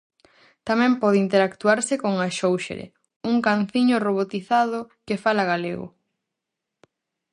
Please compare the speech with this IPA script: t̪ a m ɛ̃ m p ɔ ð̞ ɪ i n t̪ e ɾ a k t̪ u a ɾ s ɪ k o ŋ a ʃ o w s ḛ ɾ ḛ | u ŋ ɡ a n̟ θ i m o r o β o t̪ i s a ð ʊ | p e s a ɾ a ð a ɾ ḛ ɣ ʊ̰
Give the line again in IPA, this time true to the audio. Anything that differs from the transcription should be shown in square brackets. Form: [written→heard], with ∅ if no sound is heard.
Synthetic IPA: t̪ a m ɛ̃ m p ɔ ð̞ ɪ i n t̪ e ɾ a k t̪ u a ɾ s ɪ k o ŋ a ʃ o w [s→ʃ] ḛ ɾ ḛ | u ŋ [ɡ→k] a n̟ θ i [m→ɲ] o r o β o t̪ i [s→θ] a ð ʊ | [p→k] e [s→f] a [ɾ→l] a [ð→ɣ] a [ɾ→l] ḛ ɣ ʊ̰